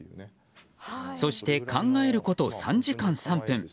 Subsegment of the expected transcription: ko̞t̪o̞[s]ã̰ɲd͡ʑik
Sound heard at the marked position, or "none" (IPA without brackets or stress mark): s